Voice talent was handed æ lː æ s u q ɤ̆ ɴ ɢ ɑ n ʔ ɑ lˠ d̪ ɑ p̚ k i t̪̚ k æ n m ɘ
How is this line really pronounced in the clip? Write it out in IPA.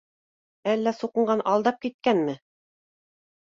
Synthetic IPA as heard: æ lː æ s u q ɤ̆ ɴ ɢ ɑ n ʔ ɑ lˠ d̪ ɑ p̚ k i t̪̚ k æ n m ɘ